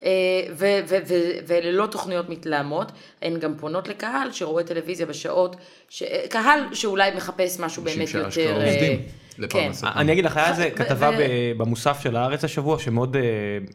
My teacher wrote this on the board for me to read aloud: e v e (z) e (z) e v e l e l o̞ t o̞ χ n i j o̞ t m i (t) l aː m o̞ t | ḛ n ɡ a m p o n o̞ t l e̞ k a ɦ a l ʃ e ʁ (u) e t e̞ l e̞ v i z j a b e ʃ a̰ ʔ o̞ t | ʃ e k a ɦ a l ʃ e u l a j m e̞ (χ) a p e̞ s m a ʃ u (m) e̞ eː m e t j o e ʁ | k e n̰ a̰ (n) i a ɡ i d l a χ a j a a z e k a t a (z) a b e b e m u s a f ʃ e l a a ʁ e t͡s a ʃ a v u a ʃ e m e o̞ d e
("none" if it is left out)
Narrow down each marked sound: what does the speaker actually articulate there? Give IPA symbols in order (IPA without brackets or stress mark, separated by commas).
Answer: v, v, t, o, χ, b, n, v